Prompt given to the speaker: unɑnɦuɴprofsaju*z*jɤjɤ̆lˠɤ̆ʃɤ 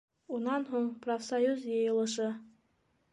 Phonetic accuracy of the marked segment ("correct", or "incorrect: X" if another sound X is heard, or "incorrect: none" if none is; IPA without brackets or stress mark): correct